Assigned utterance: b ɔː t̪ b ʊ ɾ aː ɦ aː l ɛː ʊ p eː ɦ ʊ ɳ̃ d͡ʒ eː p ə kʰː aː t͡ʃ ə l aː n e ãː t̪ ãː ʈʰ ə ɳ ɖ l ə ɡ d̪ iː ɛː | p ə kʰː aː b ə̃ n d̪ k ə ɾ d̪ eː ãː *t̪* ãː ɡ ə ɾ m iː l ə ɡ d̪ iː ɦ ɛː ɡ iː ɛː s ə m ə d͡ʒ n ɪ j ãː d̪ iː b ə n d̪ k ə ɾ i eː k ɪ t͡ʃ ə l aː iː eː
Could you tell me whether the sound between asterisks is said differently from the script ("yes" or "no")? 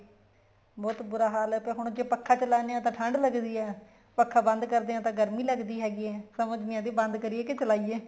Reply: no